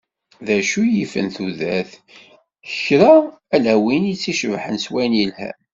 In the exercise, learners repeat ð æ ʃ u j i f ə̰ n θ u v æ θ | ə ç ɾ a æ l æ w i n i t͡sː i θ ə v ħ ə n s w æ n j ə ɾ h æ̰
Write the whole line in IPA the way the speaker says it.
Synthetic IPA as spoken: ð æ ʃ u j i f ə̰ n θ u ð æ θ | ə ç ɾ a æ l æ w i n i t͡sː i ʃ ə v ħ ə n s w æ n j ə l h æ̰